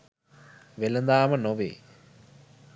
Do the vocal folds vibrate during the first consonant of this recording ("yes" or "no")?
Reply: yes